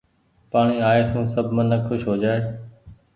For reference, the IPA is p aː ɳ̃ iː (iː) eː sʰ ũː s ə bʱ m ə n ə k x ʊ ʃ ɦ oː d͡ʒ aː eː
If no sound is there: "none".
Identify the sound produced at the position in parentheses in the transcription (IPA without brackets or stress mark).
aː